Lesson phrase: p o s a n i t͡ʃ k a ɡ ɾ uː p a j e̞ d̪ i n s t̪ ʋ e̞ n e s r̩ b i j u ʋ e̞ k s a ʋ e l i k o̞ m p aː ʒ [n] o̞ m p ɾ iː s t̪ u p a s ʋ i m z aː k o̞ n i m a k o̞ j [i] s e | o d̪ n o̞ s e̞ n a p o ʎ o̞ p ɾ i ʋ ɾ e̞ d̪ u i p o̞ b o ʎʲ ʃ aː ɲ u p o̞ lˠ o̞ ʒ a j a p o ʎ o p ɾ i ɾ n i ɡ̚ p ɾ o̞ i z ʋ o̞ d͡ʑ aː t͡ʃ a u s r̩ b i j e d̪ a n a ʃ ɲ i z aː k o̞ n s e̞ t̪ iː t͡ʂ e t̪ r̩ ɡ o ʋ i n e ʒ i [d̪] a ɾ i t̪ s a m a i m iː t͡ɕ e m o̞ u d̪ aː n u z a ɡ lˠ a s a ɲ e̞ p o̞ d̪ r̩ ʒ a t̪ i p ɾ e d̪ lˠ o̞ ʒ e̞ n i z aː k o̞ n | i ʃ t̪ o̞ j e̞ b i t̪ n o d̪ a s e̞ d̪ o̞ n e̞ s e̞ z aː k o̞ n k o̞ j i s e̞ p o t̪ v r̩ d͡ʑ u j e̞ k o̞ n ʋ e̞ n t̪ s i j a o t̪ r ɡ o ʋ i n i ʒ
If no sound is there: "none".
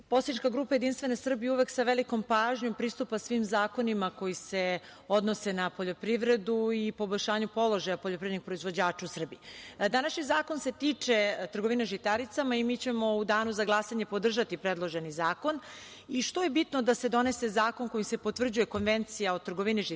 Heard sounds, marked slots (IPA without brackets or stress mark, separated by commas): ɲ, i, t̪